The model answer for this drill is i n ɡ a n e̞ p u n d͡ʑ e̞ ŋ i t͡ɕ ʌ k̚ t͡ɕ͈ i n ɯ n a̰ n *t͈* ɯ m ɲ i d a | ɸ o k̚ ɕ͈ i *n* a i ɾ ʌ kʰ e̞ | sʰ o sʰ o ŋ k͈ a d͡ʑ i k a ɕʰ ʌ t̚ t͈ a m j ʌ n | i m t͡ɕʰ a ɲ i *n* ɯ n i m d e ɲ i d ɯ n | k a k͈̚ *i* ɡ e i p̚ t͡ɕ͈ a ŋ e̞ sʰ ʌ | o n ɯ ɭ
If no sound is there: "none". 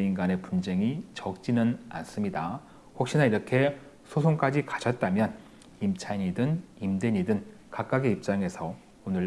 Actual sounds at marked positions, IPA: s͈, n, d, a

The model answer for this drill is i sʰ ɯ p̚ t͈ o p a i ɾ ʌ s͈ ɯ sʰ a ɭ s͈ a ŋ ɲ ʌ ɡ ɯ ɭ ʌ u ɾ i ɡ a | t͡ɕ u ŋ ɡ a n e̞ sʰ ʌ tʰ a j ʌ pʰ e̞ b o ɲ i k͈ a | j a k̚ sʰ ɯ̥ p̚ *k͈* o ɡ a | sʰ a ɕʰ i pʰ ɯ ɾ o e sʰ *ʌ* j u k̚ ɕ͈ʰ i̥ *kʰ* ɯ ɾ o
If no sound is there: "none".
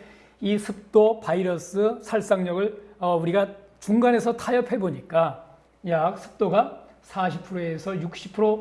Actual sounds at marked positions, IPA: t͈, ʌ, pʰ

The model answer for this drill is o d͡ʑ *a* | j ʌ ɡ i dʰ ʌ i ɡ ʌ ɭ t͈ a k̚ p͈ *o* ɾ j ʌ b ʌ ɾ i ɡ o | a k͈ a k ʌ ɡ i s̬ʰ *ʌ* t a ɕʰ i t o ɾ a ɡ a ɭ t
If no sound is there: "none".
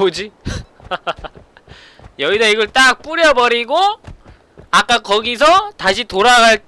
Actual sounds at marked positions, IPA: i, u, ʌ

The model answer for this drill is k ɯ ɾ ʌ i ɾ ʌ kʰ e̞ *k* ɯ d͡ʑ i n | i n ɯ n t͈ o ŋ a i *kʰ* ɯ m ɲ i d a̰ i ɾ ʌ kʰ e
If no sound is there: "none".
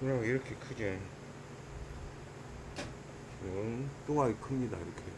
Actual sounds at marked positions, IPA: kʰ, kʰ

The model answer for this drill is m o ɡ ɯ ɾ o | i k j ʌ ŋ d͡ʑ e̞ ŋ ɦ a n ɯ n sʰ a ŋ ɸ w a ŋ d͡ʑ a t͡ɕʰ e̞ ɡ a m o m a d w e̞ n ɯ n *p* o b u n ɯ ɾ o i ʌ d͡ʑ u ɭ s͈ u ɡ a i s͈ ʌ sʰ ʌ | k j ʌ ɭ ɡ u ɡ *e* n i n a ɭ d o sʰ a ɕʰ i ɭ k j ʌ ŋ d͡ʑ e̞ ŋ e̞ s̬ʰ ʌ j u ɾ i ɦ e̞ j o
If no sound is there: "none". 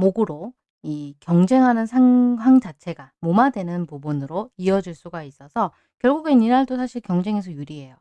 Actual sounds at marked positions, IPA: p, e

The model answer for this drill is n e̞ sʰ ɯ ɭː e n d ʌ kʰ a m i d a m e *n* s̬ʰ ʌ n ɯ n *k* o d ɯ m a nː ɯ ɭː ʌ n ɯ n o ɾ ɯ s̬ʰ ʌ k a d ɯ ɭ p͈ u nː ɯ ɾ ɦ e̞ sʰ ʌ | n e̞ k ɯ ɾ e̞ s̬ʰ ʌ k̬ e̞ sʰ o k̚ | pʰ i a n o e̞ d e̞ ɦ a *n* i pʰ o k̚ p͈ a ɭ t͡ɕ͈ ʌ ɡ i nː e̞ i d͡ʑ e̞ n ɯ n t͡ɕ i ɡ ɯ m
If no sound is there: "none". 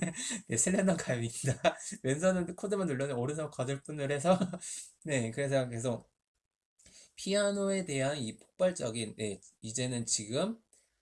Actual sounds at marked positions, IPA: n, kʰ, n

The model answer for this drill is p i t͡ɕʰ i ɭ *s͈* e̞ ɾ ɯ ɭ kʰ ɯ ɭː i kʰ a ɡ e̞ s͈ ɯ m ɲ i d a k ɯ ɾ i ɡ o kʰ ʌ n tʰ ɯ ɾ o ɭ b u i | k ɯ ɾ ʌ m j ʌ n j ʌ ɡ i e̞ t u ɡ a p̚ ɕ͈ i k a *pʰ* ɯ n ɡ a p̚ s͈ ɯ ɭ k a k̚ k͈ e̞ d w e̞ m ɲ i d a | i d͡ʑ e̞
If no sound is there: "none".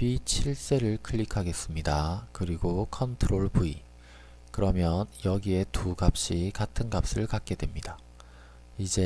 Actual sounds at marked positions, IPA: s͈, tʰ

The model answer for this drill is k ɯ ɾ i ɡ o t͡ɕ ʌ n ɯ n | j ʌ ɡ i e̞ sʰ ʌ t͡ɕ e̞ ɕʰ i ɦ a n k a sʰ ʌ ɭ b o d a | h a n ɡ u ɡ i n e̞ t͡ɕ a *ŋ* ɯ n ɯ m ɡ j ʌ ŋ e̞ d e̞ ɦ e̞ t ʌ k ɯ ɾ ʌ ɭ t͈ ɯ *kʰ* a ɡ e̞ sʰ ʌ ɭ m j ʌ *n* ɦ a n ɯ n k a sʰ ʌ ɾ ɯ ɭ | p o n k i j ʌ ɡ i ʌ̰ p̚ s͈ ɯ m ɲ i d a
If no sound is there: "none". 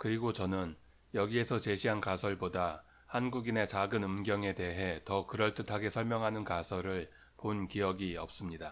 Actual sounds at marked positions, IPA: ɡ, tʰ, ŋ

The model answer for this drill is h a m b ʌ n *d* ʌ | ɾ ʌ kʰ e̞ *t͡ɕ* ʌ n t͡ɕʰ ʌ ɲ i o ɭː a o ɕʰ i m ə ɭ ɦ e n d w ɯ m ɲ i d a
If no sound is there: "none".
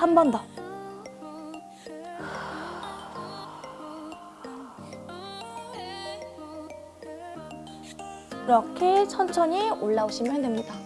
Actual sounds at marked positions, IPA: d, t͡ɕʰ

